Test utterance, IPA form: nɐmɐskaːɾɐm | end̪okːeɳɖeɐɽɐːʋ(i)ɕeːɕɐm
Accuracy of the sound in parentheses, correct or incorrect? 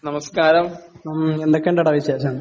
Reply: correct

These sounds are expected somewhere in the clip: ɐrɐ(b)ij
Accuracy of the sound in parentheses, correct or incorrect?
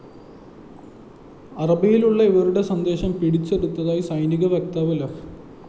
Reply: correct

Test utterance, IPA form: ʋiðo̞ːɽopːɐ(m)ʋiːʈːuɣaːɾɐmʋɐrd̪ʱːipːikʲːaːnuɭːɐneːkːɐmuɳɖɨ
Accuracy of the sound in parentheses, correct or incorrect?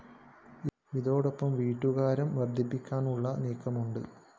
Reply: correct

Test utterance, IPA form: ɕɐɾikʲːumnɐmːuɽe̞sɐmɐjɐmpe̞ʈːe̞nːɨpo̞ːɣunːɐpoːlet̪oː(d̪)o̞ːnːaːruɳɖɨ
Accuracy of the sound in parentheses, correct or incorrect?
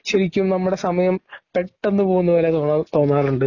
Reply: incorrect: t̪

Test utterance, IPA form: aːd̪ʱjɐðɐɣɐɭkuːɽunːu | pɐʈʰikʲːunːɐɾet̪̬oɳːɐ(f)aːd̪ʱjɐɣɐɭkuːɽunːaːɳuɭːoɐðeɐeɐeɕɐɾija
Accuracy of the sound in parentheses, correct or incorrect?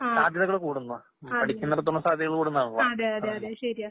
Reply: incorrect: s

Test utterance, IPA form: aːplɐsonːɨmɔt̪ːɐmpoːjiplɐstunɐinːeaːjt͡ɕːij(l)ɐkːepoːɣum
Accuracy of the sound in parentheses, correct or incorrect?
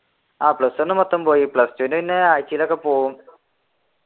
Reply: correct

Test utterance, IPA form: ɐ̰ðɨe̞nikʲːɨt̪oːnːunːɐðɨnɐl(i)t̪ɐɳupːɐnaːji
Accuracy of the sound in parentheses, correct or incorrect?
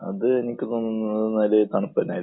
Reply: incorrect: e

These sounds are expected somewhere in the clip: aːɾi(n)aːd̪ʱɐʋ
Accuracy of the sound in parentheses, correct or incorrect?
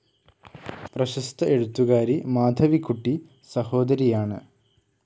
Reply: incorrect: m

